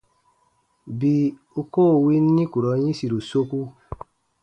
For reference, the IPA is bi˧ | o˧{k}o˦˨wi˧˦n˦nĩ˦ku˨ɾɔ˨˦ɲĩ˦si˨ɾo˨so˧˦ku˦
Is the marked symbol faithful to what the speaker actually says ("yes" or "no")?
yes